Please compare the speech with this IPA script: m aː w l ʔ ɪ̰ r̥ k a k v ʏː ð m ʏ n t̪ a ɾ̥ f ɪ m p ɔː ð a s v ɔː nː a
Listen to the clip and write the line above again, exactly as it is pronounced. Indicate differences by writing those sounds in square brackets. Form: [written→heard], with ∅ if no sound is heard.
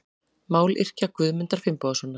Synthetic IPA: m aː w l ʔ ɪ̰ r̥ [k→c] a k v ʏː ð m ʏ n t̪ a ɾ̥ f ɪ m p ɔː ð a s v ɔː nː a